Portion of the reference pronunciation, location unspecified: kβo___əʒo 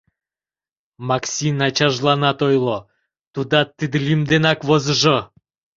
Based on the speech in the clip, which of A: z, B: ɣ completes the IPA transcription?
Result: A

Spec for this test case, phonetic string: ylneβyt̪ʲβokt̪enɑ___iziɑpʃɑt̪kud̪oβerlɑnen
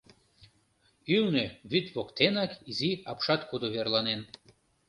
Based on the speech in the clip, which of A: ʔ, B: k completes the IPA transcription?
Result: B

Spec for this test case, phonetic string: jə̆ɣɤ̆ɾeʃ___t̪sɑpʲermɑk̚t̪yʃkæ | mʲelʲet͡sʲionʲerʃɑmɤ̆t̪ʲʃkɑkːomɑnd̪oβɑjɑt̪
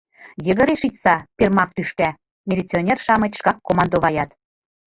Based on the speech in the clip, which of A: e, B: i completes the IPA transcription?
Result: B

